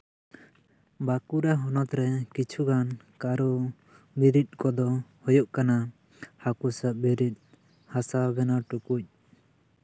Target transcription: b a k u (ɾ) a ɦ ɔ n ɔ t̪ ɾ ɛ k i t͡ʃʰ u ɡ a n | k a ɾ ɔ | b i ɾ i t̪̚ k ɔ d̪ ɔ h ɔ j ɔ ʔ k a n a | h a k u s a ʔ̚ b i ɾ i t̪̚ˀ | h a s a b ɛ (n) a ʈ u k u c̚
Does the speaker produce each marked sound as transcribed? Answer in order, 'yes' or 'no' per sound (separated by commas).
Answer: yes, yes